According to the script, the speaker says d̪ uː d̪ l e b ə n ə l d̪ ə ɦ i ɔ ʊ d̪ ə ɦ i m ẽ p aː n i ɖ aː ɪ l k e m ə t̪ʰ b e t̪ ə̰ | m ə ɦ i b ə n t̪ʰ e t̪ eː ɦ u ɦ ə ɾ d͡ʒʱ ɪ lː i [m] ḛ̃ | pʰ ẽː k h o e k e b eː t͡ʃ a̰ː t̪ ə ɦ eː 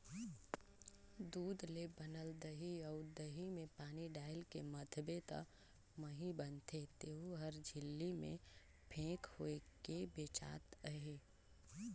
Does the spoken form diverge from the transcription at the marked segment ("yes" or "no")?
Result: no